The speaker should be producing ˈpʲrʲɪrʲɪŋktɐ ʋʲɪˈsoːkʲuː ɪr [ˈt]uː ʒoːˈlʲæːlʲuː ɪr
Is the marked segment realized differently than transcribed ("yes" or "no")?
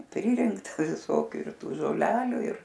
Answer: no